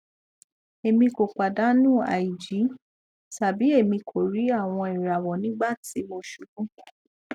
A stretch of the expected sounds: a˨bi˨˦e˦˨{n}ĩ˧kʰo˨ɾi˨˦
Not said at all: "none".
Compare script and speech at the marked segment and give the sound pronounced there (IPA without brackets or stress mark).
m